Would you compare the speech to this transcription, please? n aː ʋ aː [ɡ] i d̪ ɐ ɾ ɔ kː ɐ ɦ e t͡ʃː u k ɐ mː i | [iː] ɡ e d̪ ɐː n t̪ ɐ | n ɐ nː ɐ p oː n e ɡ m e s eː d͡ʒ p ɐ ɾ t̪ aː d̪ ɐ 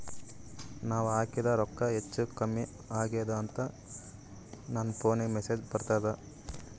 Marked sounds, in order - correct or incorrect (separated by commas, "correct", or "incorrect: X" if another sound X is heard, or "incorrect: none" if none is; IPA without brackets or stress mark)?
incorrect: k, incorrect: aː